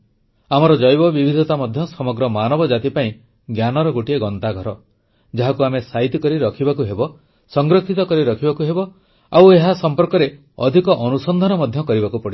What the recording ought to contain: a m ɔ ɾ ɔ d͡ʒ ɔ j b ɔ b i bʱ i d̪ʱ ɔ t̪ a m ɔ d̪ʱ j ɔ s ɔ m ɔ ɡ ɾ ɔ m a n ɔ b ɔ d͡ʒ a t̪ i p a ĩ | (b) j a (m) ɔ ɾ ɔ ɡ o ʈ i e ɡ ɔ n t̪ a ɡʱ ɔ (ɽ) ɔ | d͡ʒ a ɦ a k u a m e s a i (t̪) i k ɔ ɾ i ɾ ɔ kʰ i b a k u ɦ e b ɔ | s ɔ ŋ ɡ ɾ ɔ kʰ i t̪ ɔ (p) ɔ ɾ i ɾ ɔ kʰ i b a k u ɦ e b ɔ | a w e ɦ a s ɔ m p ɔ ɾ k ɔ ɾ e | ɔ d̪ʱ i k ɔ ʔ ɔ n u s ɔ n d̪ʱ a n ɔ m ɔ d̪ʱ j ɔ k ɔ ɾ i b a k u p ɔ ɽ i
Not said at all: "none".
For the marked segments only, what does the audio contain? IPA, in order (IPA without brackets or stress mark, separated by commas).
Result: ɡ, n, ɾ, t̪, k